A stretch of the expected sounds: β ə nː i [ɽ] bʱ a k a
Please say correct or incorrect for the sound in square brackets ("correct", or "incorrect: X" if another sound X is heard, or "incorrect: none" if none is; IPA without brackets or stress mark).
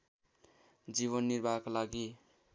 incorrect: ɾ